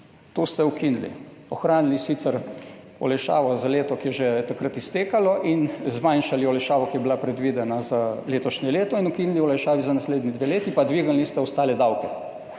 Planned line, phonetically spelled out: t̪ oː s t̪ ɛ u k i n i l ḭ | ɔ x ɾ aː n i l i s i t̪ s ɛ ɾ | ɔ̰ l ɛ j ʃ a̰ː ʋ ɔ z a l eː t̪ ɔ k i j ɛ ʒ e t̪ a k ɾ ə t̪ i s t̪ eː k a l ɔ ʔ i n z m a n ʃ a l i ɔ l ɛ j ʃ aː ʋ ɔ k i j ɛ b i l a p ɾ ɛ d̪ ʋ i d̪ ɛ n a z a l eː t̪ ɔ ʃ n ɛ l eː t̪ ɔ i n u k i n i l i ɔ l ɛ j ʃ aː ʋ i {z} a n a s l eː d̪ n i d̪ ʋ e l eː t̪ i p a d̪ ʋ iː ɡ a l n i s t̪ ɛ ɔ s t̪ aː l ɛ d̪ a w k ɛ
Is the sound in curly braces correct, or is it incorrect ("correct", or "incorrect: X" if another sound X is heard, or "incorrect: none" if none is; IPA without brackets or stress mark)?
correct